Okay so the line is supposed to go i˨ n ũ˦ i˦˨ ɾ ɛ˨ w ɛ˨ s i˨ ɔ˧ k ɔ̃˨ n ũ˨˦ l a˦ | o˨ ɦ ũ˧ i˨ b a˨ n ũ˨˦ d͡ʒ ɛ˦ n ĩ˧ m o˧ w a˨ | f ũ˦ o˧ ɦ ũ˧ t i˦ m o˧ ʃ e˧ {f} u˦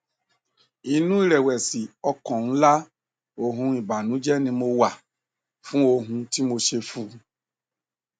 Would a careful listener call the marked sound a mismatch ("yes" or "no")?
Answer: no